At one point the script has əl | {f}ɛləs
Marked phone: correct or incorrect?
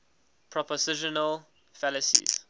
correct